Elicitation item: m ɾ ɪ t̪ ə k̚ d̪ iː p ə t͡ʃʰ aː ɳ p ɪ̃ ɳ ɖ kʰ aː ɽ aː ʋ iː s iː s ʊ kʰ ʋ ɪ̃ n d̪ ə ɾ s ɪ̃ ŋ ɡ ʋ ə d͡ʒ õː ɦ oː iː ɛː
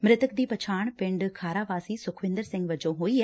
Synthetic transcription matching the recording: m ɾ ɪ t̪ ə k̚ d̪ iː p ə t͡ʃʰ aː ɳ p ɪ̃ ɳ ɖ kʰ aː ɾ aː ʋ aː s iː s ʊ kʰ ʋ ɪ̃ n d̪ ə ɾ s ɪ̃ ŋ ɡ ʋ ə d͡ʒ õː ɦ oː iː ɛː